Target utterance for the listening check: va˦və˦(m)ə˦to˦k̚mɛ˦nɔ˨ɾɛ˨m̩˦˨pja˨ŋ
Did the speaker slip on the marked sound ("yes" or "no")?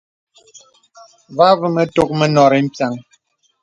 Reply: no